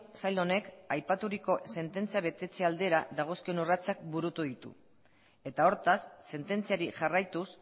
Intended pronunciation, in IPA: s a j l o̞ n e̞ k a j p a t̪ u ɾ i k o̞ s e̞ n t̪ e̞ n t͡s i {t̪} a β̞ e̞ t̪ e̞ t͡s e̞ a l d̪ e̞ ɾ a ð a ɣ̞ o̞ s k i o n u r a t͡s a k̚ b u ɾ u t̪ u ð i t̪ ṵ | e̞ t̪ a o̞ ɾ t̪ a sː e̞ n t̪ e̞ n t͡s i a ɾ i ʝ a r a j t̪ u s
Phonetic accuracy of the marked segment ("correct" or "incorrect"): incorrect